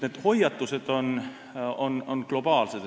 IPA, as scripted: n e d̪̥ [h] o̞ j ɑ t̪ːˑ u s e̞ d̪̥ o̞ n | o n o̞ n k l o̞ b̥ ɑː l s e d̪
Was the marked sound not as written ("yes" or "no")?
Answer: no